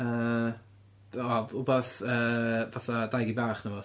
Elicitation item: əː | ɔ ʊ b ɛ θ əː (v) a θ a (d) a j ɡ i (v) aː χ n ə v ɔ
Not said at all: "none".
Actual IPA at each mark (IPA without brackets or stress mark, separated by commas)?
v, d, b